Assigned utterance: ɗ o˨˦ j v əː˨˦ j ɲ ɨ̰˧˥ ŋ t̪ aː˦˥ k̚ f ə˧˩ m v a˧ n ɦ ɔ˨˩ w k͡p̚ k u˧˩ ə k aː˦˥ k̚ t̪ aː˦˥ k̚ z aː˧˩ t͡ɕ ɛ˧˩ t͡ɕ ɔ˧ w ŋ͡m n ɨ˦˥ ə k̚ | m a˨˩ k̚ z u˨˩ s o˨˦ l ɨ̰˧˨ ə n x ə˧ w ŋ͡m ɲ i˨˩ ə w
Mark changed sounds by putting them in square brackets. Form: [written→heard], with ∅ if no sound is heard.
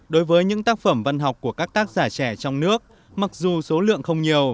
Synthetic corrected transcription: ɗ o˨˦ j v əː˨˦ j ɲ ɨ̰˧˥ ŋ t̪ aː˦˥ k̚ f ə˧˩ m v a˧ n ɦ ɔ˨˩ w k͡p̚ k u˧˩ ə k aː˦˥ k̚ t̪ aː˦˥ k̚ z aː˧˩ t͡ɕ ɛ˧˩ t͡ɕ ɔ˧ w ŋ͡m n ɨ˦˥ ə k̚ | m a˨˩ k̚ z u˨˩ s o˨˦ l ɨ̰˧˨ ə [n→ŋ] x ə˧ w ŋ͡m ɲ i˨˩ ə w